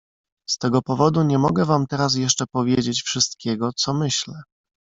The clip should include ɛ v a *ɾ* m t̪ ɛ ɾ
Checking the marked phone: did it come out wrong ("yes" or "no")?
yes